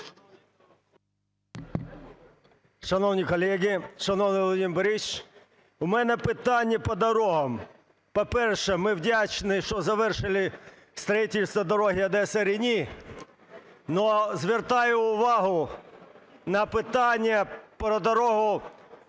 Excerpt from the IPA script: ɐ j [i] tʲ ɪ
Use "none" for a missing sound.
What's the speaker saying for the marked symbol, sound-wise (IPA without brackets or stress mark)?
i